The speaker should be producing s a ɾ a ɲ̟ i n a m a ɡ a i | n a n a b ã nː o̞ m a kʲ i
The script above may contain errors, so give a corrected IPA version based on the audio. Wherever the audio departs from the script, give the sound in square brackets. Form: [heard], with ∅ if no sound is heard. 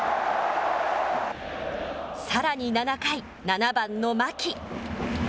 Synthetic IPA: s a ɾ a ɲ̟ i n a [n] a [k] a i | n a n a b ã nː o̞ m a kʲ i